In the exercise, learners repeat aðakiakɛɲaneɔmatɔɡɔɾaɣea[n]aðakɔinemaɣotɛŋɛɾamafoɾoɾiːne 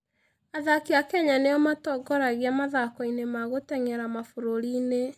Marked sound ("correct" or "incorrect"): incorrect